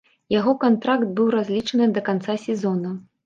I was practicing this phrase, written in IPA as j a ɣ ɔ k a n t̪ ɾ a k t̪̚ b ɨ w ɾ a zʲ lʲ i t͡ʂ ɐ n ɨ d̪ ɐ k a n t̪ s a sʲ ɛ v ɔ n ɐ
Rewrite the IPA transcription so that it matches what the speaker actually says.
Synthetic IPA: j a ɣ ɔ k a n t̪ ɾ a k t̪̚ b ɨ w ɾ a zʲ lʲ i t͡ʂ ɐ n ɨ d̪ ɐ k a n t̪ s a sʲ ɛ z ɔ n ɐ